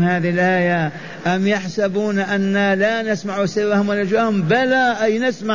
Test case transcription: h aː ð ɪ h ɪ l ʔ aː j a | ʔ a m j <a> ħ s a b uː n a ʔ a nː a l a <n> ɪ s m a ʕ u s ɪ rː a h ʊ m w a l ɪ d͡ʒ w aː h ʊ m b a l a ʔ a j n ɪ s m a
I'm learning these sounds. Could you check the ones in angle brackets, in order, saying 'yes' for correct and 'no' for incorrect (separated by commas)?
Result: yes, yes